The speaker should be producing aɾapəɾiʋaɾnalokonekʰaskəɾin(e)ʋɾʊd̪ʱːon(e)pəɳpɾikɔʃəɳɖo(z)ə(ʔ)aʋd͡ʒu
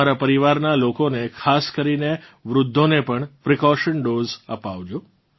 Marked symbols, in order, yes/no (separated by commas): yes, yes, yes, no